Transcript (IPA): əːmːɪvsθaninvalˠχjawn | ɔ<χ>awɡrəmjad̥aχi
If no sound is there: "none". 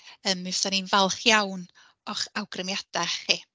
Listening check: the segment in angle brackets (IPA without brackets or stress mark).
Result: χ